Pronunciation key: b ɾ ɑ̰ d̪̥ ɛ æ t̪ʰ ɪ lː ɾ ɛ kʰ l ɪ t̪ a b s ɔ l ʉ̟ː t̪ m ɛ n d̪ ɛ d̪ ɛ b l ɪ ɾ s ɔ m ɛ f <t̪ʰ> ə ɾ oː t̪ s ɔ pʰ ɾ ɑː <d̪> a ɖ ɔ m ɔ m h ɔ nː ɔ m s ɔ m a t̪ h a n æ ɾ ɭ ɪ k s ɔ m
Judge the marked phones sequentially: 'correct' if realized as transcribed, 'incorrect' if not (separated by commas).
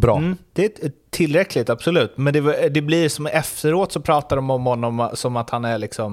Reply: incorrect, incorrect